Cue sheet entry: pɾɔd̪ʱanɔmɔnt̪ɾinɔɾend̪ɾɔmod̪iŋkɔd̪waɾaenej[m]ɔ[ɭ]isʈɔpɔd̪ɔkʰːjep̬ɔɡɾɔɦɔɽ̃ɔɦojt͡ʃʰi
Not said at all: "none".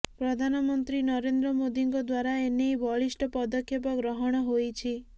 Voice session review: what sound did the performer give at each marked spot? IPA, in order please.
b, ɭ

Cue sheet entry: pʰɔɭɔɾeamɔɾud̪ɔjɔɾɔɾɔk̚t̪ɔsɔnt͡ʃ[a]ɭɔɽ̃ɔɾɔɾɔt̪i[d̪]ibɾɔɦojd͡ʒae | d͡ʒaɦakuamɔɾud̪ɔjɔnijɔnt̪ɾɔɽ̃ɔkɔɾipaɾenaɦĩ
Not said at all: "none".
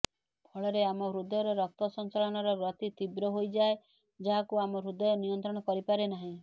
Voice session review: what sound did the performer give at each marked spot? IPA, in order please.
a, t̪

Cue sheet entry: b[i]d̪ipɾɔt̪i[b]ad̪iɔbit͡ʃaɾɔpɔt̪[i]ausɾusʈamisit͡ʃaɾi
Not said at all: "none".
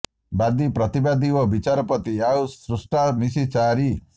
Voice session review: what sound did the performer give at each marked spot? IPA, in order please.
a, b, i

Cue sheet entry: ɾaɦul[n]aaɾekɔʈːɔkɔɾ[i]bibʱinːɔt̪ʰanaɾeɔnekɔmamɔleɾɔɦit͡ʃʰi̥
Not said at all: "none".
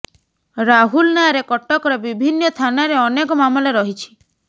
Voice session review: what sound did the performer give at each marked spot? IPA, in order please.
n, e

